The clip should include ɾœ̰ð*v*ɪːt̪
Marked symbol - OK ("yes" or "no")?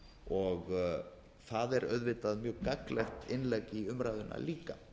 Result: yes